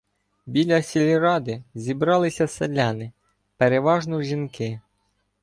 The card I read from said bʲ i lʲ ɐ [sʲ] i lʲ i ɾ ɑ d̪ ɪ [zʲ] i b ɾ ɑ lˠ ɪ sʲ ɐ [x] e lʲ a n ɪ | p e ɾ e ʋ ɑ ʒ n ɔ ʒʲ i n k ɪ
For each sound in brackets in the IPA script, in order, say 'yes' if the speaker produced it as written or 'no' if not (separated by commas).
yes, yes, no